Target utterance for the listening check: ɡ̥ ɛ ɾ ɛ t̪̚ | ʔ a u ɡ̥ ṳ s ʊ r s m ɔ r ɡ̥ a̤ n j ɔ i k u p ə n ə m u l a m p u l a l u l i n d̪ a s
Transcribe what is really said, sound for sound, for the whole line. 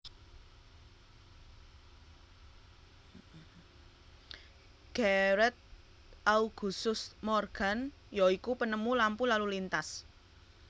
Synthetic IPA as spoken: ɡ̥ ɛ ɾ ɛ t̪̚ | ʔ a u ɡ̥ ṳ s ʊ s m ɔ r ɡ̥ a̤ n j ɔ i k u p ə n ə m u l a m p u l a l u l i n t̪ a s